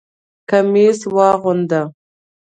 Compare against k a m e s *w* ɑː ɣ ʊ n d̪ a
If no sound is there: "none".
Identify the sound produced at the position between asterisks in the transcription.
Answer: w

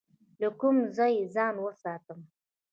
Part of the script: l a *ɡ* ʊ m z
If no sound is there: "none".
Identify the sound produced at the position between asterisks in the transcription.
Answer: k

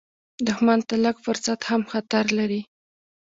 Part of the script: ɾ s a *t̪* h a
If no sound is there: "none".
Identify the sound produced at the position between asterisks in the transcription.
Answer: t̪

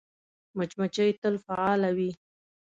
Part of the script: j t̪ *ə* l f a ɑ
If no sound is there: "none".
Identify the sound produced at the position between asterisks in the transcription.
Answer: ə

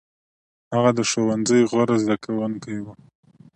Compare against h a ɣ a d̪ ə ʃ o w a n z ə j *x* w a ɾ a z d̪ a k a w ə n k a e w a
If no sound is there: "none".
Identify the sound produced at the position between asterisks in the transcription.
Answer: ɣ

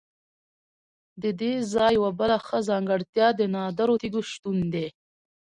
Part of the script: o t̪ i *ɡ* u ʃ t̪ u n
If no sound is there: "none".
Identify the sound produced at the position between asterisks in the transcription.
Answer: ɡ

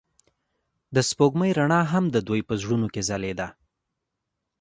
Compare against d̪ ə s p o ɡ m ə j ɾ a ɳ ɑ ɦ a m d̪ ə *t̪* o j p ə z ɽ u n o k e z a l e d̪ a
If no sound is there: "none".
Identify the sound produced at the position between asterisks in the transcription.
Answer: d̪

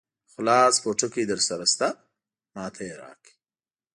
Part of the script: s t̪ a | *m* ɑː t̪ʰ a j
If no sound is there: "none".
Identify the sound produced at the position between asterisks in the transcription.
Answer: m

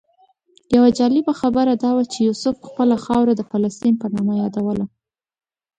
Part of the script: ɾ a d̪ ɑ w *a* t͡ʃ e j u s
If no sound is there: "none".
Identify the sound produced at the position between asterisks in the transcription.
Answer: a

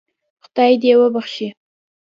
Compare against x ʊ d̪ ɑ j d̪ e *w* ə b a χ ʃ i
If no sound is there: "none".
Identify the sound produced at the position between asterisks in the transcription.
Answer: w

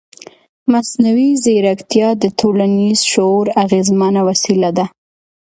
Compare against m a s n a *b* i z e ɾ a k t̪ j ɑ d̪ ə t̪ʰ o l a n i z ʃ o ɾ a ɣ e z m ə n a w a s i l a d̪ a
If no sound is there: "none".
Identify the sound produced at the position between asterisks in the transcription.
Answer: w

